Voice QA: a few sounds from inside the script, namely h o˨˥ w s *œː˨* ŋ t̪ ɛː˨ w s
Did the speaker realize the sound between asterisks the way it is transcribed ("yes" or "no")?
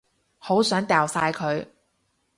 no